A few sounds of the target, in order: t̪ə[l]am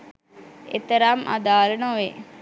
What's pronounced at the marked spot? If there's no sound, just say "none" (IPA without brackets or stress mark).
ɾ